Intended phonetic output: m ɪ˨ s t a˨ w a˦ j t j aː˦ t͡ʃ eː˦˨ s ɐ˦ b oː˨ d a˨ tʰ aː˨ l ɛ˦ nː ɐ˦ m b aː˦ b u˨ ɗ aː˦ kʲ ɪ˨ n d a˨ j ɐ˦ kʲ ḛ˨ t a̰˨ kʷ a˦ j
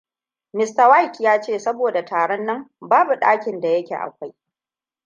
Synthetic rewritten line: m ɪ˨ s t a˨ w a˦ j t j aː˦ t͡ʃ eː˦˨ s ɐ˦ b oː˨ d a˨ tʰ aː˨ ɽ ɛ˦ nː ɐ˦ m b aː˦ b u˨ ɗ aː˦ kʲ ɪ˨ n d a˨ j ɐ˦ kʲ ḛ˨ ʔ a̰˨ kʷ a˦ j